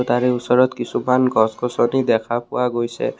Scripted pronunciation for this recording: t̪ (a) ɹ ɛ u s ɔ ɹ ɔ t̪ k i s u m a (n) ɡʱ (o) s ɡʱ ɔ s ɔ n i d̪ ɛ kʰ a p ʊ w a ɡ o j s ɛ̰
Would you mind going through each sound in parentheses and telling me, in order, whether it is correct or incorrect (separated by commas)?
correct, correct, incorrect